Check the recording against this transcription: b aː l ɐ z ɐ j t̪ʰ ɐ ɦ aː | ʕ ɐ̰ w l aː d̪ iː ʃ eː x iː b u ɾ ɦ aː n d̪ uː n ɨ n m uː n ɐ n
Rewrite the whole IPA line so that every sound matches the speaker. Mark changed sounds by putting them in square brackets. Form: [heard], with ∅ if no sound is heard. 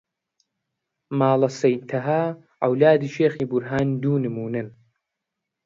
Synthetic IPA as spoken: [m] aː l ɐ [s] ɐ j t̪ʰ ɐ ɦ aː | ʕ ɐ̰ w l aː d̪ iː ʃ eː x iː b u ɾ ɦ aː n d̪ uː n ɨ [∅] m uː n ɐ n